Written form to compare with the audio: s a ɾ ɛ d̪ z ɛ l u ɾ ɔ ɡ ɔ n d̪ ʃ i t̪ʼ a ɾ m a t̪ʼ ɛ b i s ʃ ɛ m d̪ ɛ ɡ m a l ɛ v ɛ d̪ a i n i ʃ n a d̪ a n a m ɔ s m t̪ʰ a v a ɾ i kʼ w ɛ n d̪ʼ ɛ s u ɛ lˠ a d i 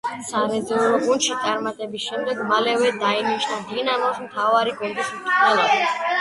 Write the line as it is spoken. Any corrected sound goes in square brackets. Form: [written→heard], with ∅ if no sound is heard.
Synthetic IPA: s a ɾ ɛ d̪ z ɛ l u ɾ ɔ ɡ [ɔ→u] n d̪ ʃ i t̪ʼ a ɾ m a t̪ʼ ɛ b i s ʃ ɛ m d̪ ɛ ɡ m a l ɛ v ɛ d̪ a i n i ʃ n a d̪ [a→i] n a m ɔ s m t̪ʰ a v a ɾ i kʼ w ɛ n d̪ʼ [ɛ→i] s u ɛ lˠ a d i

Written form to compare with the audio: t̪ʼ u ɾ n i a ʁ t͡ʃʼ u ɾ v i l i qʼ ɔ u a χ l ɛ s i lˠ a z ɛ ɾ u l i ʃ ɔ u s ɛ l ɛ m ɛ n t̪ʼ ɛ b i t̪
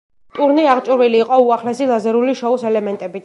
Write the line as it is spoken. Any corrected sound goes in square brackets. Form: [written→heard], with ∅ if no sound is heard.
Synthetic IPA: t̪ʼ u ɾ n i a ʁ t͡ʃʼ u ɾ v i l [i→iː] qʼ ɔ u a χ l ɛ s i lˠ a z ɛ ɾ u l i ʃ ɔ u s ɛ l ɛ m ɛ n t̪ʼ ɛ b i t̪

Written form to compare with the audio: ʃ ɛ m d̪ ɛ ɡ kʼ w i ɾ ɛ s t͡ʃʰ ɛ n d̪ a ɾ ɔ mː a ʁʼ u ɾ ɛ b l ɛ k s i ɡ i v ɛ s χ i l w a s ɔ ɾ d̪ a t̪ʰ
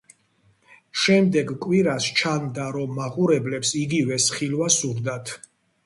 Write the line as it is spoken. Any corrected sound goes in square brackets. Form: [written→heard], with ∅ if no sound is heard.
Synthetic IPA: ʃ ɛ m d̪ ɛ ɡ kʼ w i ɾ [ɛ→a] s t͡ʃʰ [ɛ→a] n d̪ a ɾ ɔ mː a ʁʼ u ɾ ɛ b l ɛ [k→p] s i ɡ i v ɛ s χ i l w a s [ɔ→u] ɾ d̪ a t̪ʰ

